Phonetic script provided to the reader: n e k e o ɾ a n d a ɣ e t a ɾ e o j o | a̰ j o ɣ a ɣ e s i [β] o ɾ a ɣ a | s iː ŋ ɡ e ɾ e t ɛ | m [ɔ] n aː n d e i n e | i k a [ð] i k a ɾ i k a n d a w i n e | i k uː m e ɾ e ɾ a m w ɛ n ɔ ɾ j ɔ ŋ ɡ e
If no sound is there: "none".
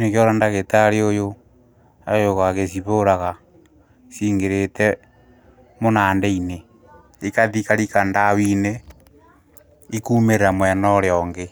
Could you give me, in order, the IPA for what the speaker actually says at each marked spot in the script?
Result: β, o, ð

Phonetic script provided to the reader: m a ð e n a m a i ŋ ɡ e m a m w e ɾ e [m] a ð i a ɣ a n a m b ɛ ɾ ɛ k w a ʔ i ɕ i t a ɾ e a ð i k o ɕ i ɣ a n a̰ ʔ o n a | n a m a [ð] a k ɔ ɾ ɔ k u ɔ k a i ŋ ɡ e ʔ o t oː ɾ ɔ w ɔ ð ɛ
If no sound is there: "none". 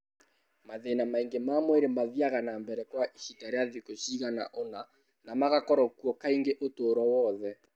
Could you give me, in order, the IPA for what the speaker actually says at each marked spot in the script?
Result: m, ɣ

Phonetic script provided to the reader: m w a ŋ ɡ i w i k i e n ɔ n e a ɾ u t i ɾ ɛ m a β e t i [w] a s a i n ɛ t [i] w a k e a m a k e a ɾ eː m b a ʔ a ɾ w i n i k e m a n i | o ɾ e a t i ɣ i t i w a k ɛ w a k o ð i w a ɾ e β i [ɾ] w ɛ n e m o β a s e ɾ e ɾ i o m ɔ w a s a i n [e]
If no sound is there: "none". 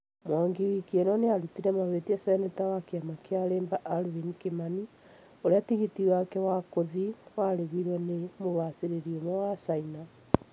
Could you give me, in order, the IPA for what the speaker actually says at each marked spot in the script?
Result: none, a, ɾ, a

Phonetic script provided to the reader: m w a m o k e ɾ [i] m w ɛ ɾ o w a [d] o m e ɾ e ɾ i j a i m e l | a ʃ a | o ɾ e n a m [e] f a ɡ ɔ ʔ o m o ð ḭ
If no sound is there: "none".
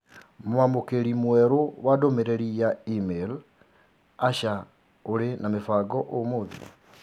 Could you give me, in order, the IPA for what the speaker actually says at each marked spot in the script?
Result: i, d, e

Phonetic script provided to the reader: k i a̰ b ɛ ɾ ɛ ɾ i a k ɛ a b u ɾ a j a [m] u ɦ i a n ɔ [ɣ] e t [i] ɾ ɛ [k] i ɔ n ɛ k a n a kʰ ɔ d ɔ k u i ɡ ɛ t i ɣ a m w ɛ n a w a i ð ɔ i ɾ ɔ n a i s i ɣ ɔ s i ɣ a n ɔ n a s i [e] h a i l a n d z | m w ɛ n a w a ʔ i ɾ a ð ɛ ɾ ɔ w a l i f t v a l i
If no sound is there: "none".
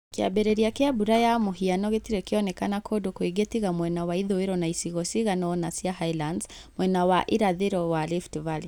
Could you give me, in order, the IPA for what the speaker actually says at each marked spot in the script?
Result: m, ɣ, i, k, a

